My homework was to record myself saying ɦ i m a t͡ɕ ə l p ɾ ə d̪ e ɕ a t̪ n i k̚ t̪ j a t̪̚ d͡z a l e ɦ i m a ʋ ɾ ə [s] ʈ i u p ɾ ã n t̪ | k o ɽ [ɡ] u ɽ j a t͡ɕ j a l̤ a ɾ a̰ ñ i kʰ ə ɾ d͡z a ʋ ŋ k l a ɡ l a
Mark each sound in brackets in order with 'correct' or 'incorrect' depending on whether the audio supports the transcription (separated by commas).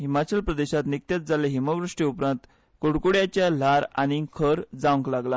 incorrect, incorrect